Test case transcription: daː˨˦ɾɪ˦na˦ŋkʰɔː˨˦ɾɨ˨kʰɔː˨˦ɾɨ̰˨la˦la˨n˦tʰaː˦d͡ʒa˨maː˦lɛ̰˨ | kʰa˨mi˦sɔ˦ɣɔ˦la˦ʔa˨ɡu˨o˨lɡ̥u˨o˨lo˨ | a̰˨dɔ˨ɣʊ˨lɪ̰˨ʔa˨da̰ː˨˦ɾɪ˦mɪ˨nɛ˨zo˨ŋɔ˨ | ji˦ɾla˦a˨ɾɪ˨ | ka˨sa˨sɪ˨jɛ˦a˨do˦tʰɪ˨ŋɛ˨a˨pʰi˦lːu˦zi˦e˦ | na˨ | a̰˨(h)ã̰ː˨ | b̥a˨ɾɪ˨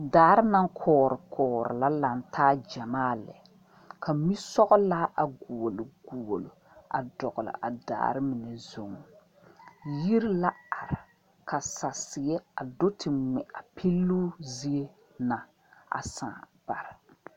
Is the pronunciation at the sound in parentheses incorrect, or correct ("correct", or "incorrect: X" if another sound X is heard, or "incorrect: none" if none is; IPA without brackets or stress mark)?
incorrect: s